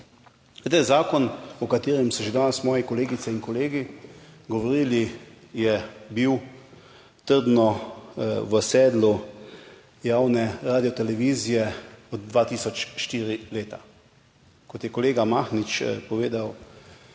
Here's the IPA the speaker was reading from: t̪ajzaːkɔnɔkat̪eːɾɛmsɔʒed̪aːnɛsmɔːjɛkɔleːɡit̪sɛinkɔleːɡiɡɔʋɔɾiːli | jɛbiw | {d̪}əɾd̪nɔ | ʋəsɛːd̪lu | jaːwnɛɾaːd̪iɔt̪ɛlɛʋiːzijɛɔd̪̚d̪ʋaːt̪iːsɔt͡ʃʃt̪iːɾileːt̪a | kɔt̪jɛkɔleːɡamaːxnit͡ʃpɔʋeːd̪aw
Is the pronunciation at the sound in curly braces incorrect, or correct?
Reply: incorrect